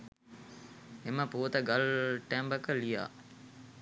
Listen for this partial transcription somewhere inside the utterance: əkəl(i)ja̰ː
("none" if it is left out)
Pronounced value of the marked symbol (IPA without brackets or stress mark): i